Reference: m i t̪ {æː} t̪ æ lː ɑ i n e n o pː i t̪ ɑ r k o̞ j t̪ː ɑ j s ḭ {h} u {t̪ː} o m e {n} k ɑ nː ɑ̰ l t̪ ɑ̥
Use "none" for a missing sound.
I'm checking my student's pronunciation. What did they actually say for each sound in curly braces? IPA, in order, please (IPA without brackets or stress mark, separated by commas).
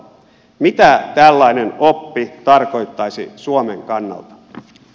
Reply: æ, s, none, ŋ